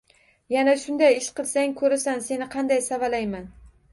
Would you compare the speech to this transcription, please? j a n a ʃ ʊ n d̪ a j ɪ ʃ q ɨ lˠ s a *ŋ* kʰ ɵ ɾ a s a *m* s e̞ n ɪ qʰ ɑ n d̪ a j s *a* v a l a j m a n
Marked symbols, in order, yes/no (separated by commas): yes, no, yes